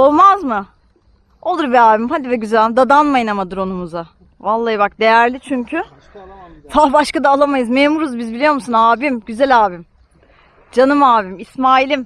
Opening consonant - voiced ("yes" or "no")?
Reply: yes